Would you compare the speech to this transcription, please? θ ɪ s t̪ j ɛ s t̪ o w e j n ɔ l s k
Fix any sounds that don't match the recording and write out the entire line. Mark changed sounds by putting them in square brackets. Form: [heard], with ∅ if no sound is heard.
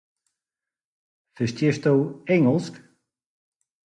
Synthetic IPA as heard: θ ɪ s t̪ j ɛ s t̪ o w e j [ŋ] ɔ l s k

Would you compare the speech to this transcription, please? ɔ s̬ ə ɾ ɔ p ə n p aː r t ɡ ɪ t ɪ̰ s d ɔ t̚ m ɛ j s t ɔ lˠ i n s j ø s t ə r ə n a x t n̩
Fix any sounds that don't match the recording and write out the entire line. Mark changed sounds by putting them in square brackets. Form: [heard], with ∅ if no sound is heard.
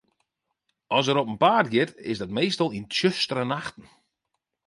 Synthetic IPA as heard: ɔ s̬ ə ɾ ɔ p ə n p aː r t ɡ ɪ t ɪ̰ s d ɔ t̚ m [e] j s t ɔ lˠ i n [t] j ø s t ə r ə n a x t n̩

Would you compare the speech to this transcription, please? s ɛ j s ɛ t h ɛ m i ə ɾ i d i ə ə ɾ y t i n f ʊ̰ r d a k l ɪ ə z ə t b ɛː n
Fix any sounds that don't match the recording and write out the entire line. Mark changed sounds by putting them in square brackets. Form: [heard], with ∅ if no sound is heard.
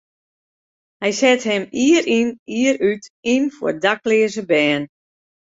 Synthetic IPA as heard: [h] ɛ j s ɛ t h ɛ m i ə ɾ i [n] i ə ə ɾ y t i n f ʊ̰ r d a k l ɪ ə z ə [∅] b ɛː n

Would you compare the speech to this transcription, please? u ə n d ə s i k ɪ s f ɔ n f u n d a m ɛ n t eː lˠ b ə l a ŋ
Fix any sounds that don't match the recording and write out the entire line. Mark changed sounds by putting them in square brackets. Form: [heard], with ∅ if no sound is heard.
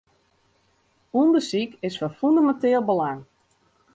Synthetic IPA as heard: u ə n d ə s i k ɪ s f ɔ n f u n d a m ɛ n t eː lˠ b ə l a ŋ

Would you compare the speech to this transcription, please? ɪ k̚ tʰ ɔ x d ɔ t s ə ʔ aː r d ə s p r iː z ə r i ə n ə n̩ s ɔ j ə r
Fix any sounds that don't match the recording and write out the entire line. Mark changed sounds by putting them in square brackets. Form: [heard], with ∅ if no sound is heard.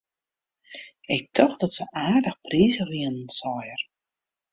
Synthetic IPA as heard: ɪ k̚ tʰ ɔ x d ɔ t s ə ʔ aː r d ə [x] p r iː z ə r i ə n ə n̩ s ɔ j ə r

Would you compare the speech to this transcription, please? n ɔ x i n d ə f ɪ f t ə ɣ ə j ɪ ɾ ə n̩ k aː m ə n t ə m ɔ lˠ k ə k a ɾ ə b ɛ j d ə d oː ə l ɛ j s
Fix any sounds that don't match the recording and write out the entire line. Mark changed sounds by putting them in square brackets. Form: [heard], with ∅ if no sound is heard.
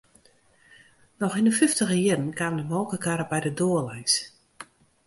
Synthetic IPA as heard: n ɔ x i n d ə f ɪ f t ə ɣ ə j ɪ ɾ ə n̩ k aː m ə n [d] ə m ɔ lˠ k ə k a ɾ ə b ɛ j d ə d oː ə l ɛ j s

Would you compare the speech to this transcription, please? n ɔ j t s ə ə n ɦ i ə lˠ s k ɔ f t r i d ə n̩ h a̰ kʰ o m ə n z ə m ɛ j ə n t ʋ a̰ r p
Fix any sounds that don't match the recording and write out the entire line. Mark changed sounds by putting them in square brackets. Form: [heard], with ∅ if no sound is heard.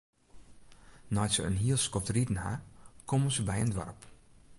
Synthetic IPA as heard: n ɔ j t s ə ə n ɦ i ə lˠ s k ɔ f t r i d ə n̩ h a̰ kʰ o m ə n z ə [b] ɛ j ə n [d] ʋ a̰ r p

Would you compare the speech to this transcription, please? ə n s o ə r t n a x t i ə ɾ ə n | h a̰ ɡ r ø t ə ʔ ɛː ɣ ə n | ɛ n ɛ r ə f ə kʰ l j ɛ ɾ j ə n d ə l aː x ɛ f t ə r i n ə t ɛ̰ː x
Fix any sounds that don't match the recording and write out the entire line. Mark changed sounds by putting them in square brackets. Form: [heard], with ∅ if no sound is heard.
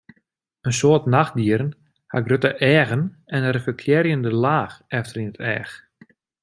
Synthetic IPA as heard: ə n s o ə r t n a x [d] i ə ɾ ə n | h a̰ ɡ r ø t ə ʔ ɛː ɣ ə n | ɛ n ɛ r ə f ə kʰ l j ɛ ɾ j ə n d ə l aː x ɛ f t ə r i n ə t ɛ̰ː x

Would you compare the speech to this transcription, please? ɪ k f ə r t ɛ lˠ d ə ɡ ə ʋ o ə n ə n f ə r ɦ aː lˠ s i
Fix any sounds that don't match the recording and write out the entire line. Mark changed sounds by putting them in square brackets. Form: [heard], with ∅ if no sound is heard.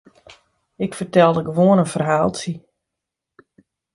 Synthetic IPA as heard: ɪ k f ə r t ɛ lˠ d ə ɡ ə ʋ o ə n ə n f ə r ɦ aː lˠ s i

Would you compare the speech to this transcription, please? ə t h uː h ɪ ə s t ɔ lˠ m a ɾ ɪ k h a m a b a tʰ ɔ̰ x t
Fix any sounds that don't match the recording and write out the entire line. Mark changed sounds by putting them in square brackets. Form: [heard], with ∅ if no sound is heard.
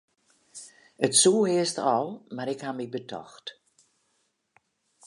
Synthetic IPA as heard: ə t [s] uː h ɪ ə s t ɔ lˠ m a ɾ ɪ k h a m [i] b [ə] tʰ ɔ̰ x t

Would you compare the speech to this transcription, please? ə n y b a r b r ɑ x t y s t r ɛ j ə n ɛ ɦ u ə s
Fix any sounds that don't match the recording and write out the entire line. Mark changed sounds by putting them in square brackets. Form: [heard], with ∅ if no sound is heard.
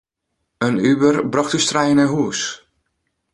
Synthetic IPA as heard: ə n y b [ə] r b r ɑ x t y s t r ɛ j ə n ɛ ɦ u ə s

